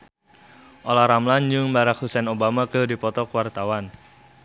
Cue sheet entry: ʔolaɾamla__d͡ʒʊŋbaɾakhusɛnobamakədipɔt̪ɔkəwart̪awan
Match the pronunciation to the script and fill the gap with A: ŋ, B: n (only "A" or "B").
B